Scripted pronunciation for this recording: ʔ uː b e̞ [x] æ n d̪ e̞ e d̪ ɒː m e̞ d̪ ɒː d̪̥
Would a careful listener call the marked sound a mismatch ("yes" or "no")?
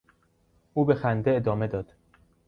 no